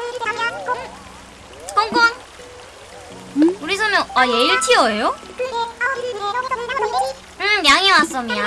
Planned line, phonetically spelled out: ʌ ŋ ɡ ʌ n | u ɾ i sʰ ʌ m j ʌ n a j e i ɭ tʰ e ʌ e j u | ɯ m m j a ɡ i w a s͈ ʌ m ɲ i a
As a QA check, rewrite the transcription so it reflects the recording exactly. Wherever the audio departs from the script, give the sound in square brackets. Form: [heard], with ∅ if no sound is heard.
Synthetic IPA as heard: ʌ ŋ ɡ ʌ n | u ɾ i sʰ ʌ m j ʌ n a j e i ɭ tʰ [i] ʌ e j [o] | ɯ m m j a [ŋ] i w a s͈ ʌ m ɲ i a